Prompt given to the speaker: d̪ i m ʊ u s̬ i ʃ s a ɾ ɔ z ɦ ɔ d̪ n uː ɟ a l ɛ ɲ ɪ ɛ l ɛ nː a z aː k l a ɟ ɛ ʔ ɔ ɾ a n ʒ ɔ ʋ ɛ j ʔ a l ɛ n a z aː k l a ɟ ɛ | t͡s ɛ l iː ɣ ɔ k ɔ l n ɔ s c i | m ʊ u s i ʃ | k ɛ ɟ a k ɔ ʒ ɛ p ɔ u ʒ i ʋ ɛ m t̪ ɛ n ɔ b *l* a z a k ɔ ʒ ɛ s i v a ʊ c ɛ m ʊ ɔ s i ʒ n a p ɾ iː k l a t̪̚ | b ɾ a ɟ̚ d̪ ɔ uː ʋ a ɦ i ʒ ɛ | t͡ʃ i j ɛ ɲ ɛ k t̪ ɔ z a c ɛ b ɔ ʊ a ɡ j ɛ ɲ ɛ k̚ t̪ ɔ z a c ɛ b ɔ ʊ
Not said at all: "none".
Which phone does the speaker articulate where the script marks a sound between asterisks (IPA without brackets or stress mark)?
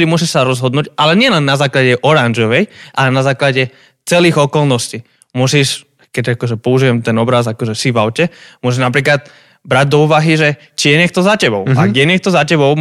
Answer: ɾ